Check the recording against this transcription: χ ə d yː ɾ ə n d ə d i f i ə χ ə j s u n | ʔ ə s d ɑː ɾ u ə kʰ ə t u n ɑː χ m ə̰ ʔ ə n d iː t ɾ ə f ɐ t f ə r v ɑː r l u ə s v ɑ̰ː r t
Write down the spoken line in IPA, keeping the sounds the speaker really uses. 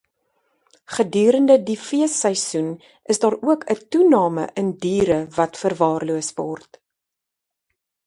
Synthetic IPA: χ ə d yː ɾ ə n d ə d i f i ə s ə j s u n | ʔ ə s d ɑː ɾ u ə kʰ ə t u n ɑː m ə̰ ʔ ə n d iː ɾ ə v ɐ t f ə r v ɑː r l u ə s v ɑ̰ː r t